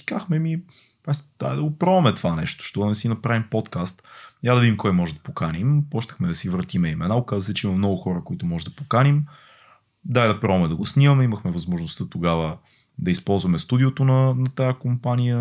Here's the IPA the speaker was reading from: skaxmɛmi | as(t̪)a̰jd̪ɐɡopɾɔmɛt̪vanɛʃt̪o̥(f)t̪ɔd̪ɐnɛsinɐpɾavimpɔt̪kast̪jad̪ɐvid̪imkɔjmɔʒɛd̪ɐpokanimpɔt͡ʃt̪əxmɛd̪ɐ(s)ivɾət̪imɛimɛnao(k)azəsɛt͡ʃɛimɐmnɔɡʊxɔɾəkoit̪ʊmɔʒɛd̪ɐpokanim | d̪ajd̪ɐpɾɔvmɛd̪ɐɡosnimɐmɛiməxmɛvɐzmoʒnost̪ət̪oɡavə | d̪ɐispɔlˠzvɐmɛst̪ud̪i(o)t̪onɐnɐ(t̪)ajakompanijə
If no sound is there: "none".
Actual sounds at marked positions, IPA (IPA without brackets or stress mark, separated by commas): d̪, ʃ, s, k, o, t̪